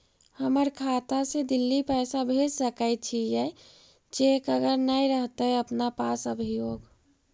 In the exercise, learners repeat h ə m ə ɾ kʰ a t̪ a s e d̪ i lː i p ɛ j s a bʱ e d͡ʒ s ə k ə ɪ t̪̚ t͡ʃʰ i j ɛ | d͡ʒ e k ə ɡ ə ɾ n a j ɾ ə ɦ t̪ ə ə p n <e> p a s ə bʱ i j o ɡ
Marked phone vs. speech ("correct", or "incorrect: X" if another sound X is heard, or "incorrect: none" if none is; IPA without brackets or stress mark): incorrect: a